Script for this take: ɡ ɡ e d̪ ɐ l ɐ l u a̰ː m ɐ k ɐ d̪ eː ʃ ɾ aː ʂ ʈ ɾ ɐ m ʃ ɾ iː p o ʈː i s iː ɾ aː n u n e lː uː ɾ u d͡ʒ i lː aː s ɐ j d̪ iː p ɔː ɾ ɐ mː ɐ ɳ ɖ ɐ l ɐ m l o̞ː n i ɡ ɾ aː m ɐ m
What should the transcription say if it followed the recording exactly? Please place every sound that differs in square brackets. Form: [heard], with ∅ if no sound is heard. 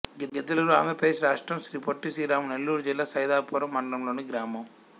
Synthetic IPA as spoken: ɡ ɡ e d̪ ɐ l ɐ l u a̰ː m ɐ [p] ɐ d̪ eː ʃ ɾ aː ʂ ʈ ɾ ɐ m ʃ ɾ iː p o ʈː i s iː ɾ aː [m] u n e lː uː ɾ u d͡ʒ i lː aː s ɐ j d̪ [aː] p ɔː ɾ ɐ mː ɐ ɳ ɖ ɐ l ɐ m l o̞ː n i ɡ ɾ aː m ɐ m